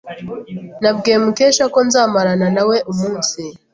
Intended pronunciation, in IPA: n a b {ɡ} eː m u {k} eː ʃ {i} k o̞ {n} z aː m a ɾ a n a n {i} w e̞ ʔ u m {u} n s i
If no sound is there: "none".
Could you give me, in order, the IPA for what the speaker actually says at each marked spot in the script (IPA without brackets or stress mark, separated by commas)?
ɡ, k, a, n, a, uː